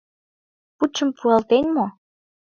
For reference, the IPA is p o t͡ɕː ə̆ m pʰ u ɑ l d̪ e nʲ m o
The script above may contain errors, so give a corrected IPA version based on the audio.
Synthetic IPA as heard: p u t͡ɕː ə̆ m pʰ u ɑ l t̪ e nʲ m o